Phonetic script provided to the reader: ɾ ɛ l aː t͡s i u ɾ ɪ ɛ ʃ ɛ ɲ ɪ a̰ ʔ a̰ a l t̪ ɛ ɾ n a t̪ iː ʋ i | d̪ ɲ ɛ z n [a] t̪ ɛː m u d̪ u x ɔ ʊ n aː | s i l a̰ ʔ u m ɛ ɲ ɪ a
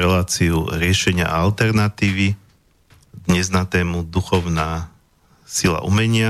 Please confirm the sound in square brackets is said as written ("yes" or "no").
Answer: yes